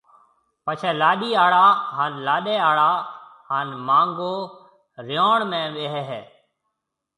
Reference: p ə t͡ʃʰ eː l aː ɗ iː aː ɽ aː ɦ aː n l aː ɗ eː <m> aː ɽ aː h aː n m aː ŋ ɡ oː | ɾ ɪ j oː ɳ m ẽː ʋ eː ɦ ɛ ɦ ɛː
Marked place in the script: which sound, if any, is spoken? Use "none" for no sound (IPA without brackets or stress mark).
none